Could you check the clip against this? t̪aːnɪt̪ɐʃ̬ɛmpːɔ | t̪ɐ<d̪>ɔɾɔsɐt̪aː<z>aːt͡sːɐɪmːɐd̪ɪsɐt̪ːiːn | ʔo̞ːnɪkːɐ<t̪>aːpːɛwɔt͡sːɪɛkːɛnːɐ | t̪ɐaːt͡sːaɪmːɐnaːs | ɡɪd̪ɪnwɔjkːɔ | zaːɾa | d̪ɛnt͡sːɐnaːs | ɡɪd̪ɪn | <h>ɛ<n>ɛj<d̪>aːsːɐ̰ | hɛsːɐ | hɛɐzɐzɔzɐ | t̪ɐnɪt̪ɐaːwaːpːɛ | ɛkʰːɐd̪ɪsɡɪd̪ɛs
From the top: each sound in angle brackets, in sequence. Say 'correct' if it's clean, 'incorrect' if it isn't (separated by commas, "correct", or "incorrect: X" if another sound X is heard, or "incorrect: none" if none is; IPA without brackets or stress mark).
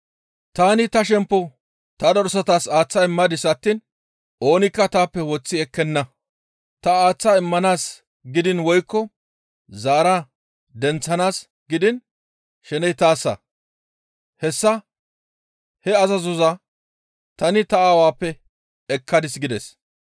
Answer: correct, incorrect: s, correct, incorrect: ʃ, correct, incorrect: t̪